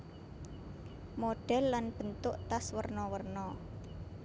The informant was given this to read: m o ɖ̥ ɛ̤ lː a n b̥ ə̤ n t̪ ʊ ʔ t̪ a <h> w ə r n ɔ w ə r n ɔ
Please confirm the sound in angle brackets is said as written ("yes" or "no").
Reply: no